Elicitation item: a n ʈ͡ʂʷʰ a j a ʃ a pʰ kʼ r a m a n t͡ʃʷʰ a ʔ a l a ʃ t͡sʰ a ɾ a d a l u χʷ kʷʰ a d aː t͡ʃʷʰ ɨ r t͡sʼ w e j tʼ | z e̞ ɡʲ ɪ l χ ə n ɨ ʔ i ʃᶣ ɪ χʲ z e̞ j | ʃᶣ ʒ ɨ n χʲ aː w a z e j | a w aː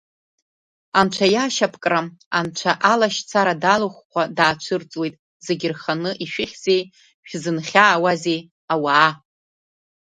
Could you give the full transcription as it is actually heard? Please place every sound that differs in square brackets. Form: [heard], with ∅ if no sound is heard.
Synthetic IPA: a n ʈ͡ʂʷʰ a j a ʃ a pʰ kʼ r a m a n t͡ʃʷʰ a ʔ a l a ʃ t͡sʰ a ɾ a d a l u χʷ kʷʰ a d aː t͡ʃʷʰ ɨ r t͡sʼ w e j tʼ | z e̞ ɡʲ ɪ [r] χ [a] n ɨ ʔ i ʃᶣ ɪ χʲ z e̞ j | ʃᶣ [z] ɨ n χʲ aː w a z e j | a w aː